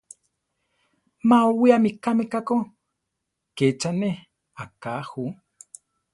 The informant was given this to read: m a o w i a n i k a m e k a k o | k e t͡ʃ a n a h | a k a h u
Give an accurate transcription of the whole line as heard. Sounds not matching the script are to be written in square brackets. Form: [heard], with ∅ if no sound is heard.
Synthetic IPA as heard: m a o w i a [m] i k a m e k a k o | k e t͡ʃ a n [e] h | a k a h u